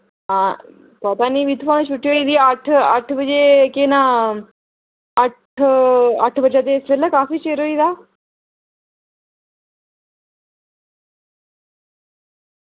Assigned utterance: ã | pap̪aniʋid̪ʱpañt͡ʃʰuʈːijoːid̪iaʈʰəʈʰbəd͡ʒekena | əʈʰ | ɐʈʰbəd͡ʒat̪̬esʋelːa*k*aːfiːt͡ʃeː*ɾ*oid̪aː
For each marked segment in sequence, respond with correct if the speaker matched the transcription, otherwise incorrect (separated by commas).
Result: correct, correct